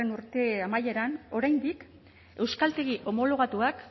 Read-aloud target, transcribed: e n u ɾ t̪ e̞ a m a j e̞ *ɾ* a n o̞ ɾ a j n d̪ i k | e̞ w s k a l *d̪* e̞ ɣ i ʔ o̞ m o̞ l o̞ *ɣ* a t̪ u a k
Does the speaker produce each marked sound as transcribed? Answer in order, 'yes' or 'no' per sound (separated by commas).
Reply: yes, no, yes